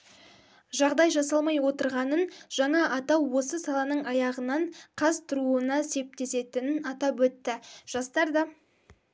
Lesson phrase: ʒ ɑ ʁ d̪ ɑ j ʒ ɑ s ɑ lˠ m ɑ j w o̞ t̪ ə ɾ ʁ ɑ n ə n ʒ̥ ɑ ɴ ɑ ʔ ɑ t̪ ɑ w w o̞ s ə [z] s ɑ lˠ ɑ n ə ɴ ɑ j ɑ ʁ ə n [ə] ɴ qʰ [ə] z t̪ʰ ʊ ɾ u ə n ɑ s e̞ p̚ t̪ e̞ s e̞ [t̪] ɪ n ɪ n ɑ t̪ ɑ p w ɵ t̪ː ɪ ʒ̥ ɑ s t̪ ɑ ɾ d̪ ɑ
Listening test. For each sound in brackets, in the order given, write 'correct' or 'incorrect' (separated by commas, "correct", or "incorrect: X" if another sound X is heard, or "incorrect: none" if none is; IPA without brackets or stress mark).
incorrect: none, incorrect: ɑ, incorrect: ɑ, correct